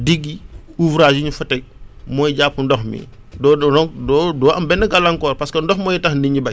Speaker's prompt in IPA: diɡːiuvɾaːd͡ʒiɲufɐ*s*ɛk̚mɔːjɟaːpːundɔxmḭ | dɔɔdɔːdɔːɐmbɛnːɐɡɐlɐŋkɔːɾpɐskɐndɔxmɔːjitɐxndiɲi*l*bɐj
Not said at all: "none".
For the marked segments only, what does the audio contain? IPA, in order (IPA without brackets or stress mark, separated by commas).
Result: t, none